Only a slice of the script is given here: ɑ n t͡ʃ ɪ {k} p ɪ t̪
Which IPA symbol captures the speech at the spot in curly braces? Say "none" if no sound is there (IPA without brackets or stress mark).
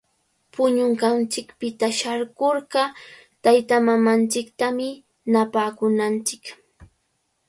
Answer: k